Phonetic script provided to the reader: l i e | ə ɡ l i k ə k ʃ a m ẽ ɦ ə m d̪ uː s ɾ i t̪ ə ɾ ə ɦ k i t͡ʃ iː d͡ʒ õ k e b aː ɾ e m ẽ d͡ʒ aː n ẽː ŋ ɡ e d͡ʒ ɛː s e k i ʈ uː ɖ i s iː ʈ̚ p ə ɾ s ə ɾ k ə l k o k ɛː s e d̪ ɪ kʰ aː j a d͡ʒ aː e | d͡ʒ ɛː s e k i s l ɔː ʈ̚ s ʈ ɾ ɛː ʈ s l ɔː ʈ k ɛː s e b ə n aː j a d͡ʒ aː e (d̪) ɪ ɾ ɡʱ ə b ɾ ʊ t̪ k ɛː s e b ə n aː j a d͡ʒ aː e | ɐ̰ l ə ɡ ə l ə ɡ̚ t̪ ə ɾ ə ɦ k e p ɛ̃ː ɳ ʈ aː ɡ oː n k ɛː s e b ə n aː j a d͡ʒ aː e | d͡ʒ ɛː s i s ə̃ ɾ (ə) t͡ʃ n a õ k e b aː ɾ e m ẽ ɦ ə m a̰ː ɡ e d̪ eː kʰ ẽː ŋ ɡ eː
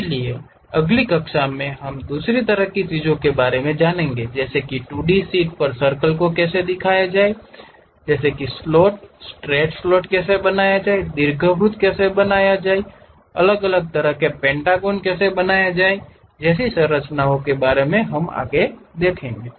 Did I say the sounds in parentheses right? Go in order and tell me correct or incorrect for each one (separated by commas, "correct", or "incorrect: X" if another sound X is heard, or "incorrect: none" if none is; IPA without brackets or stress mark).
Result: correct, correct